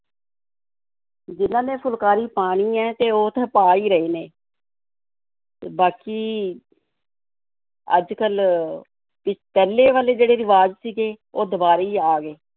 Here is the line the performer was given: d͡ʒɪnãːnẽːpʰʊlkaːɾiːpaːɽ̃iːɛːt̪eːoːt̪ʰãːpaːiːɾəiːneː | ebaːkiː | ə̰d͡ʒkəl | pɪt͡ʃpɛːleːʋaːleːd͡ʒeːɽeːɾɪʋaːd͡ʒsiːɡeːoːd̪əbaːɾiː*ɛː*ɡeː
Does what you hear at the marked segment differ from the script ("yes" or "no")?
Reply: yes